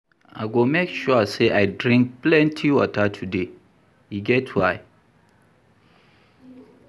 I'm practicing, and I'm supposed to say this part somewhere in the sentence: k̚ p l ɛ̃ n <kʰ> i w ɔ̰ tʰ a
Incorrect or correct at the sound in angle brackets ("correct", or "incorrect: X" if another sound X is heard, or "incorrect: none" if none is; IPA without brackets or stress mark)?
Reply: incorrect: tʰ